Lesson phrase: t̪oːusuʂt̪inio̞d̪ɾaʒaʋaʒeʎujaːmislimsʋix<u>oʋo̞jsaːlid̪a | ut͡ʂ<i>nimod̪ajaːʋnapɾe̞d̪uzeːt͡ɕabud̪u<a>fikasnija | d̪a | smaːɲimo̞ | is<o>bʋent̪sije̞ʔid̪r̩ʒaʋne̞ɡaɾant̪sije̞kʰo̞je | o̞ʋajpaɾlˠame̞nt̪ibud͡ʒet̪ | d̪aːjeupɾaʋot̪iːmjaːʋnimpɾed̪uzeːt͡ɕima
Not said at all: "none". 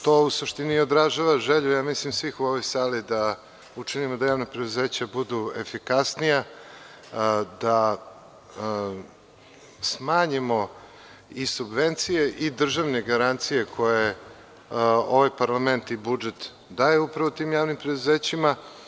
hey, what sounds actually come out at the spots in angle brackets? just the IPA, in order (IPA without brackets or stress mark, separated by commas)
u, i, e, u